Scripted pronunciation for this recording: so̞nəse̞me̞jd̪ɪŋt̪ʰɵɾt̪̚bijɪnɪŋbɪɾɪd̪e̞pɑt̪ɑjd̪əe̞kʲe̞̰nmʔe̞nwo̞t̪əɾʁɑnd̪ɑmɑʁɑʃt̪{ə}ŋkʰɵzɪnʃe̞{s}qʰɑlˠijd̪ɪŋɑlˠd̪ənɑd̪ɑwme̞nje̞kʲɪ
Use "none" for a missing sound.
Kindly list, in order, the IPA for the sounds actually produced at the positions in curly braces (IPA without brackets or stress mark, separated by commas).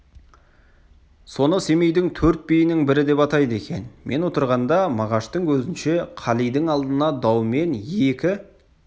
ə, none